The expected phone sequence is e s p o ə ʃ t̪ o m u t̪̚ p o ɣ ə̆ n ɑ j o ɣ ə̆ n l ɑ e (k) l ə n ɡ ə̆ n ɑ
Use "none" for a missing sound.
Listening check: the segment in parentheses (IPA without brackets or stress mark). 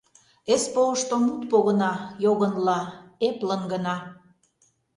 p